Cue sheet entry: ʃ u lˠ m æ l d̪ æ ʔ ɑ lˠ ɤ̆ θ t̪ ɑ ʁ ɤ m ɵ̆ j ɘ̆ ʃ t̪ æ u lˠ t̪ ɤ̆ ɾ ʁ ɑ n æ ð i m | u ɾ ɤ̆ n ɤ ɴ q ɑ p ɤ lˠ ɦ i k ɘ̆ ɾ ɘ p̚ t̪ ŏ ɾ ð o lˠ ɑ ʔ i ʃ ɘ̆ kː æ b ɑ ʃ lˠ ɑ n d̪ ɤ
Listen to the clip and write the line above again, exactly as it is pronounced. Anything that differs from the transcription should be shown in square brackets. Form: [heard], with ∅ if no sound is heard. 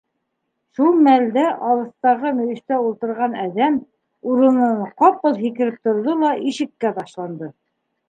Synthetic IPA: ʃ u lˠ m æ l d̪ æ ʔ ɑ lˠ ɤ̆ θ t̪ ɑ ʁ ɤ m ɵ̆ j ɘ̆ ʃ t̪ æ u lˠ t̪ ɤ̆ ɾ ʁ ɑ n æ ð [æ] m | u ɾ ɤ̆ n ɤ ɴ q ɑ p ɤ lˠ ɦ i k ɘ̆ ɾ ɘ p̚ t̪ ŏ ɾ ð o lˠ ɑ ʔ i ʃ ɘ̆ kː æ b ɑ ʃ lˠ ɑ n d̪ ɤ